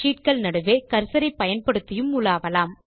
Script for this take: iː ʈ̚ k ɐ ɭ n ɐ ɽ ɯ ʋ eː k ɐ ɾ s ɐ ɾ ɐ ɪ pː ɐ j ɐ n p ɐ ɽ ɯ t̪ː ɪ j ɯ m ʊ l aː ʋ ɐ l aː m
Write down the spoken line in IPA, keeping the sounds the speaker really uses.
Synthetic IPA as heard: iː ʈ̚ k ɐ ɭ n ɐ ɽ ɯ ʋ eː k ɐ ɾ s ɐ ɾ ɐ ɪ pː ɐ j ɐ n p ɐ ɽ ɯ t̪ː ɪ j ɯ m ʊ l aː ʋ ɐ l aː m